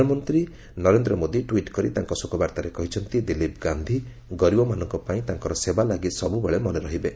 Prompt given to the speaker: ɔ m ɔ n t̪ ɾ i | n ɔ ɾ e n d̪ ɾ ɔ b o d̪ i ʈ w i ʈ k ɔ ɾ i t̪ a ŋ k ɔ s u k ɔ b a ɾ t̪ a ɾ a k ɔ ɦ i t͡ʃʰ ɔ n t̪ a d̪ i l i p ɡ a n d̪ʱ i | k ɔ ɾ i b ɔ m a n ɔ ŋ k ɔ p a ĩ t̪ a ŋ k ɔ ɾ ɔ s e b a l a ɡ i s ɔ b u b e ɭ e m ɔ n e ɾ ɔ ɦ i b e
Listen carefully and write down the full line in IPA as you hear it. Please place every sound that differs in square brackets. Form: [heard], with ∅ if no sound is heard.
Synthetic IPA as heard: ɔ m ɔ n t̪ ɾ i | n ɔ ɾ e n d̪ ɾ ɔ [m] o d̪ i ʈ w i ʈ k ɔ ɾ i t̪ a ŋ k ɔ s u k ɔ b a ɾ t̪ a ɾ [e] k ɔ ɦ i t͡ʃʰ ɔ n t̪ [i] d̪ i l i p ɡ a n d̪ʱ i | [ɡ] ɔ ɾ i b ɔ m a n ɔ ŋ k ɔ p a ĩ t̪ a ŋ k ɔ ɾ ɔ s e b a l a ɡ i s ɔ b u b e ɭ e m ɔ n e ɾ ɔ ɦ i b e